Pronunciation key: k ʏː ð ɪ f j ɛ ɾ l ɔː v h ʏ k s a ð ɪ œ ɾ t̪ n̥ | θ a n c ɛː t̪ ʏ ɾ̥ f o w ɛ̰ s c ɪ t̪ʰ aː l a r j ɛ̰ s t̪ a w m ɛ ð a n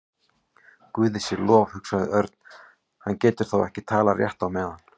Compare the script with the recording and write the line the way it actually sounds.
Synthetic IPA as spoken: k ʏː ð ɪ s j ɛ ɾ l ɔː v h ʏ k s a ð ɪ œ ɾ t̪ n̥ | h a n c ɛː t̪ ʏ ɾ̥ θ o w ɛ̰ h c ɪ t̪ʰ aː l a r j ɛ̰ h t̪ a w m ɛ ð a n